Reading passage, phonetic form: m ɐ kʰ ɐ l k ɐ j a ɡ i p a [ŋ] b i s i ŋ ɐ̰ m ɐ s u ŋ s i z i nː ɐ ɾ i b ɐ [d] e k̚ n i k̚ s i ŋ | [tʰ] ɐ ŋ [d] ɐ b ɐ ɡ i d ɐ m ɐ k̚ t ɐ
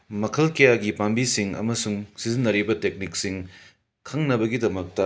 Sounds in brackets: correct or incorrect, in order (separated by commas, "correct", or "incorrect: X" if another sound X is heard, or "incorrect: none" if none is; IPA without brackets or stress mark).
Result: incorrect: m, incorrect: t, incorrect: kʰ, incorrect: n